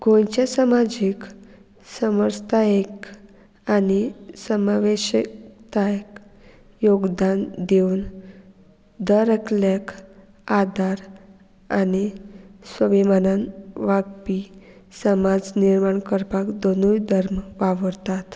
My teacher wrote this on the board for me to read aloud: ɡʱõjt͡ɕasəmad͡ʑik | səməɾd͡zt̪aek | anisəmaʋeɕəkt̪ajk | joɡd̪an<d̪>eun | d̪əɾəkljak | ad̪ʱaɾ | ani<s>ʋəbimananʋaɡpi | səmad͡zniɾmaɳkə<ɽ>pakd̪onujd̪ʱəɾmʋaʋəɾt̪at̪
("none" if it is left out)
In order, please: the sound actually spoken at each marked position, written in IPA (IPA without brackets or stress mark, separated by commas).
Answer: d̪, s, ɾ